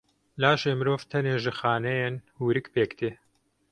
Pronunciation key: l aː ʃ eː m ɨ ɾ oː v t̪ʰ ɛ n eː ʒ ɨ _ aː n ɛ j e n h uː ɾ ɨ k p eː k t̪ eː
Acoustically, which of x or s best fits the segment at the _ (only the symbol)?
x